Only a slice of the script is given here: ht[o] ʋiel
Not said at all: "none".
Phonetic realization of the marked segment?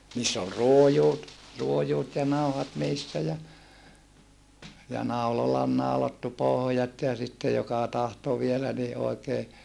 o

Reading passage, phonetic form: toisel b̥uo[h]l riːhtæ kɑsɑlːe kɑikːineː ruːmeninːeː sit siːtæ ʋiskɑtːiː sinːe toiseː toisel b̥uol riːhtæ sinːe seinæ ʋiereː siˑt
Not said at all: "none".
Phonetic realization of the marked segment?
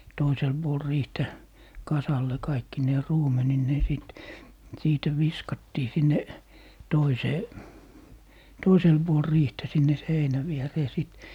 none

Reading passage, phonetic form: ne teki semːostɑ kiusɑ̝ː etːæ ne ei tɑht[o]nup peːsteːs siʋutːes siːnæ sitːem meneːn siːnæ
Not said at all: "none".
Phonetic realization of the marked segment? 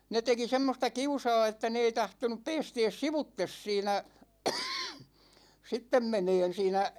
o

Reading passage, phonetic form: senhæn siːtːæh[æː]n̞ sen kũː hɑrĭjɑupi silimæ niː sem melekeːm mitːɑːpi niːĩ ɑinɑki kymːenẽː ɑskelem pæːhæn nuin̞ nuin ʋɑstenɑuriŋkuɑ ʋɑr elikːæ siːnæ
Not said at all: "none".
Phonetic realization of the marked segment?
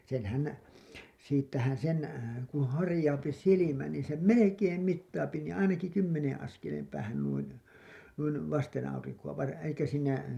æ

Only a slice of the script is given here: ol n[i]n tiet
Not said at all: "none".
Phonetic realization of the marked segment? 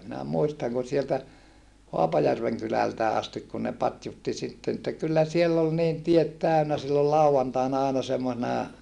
iː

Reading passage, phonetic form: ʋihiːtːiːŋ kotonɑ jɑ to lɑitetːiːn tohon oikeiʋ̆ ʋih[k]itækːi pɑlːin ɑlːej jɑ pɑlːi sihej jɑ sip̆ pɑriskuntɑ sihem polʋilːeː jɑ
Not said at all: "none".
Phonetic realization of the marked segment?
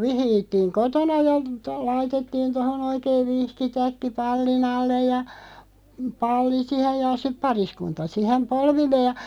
k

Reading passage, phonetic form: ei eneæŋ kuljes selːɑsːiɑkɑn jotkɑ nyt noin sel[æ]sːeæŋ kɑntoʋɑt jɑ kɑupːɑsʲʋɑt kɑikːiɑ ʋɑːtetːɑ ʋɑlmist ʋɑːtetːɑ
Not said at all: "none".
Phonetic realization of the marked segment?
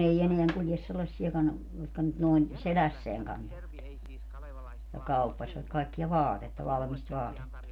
æ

